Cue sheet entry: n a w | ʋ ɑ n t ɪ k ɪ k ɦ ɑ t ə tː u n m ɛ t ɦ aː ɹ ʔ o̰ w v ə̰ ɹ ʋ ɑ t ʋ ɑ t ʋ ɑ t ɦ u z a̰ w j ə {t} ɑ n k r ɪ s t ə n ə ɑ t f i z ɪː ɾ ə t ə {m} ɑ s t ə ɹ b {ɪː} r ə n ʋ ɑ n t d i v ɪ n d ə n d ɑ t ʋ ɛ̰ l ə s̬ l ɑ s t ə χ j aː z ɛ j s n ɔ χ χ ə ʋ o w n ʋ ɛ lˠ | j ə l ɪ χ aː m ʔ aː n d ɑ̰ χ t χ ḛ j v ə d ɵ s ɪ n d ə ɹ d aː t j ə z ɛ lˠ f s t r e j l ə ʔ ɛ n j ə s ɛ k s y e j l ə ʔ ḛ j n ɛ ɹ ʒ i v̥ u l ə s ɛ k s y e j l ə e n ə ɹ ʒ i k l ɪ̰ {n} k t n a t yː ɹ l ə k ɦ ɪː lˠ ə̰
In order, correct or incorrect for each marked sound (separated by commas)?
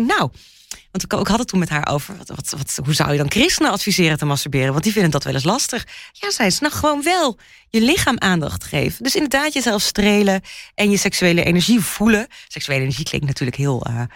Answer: incorrect, correct, correct, incorrect